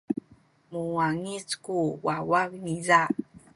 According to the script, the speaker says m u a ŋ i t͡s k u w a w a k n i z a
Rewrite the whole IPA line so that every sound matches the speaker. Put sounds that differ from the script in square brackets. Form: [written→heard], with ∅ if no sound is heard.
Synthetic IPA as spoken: m u a ŋ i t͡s k u w a w a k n i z a